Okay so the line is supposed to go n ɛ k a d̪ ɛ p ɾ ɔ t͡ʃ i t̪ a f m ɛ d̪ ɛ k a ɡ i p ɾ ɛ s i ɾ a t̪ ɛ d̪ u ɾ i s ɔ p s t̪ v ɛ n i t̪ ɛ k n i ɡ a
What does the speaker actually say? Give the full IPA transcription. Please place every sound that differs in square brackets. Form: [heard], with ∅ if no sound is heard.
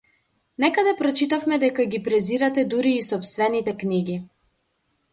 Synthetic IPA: n ɛ k a d̪ ɛ p ɾ ɔ t͡ʃ i t̪ a f m ɛ d̪ ɛ k a ɡ i p ɾ ɛ [z] i ɾ a t̪ ɛ d̪ u ɾ [iː] s ɔ p s t̪ v ɛ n i t̪ ɛ k n i ɡ [i]